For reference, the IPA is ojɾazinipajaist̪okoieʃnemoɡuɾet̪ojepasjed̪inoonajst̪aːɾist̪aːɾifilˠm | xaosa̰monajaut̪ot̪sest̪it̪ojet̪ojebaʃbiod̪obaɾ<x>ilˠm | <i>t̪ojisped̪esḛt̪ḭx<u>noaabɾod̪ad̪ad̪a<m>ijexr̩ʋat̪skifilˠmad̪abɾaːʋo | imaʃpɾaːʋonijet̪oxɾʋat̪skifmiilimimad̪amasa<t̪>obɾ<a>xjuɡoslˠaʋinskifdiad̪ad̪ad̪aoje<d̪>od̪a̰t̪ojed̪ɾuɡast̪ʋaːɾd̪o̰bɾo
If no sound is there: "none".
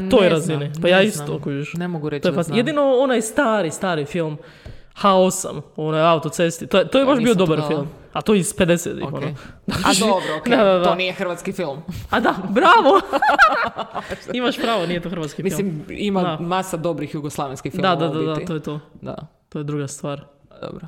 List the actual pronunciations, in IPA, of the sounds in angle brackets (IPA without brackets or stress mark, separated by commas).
f, a, o, n, d̪, i, t̪